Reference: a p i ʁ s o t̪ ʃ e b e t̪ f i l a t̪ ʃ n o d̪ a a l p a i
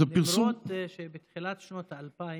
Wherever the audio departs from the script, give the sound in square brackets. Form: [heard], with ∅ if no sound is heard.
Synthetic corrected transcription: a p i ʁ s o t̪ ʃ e b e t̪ [χ] i l a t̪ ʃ n o [t̪] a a l p a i